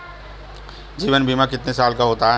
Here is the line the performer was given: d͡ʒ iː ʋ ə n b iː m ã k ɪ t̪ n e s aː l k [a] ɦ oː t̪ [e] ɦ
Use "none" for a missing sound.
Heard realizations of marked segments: a, a

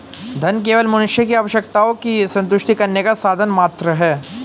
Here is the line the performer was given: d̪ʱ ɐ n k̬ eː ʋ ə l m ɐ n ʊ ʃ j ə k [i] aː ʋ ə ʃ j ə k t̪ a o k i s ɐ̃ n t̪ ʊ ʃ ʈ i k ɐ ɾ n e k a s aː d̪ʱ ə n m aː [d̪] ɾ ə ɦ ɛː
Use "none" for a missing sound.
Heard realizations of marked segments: i, t̪

